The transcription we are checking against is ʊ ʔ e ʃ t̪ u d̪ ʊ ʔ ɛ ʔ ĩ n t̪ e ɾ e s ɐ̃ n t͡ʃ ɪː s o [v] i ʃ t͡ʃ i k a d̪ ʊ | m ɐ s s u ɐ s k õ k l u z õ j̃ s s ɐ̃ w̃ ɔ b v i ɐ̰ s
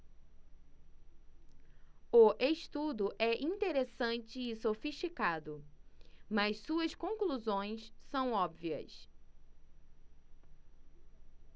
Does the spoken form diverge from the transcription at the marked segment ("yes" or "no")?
yes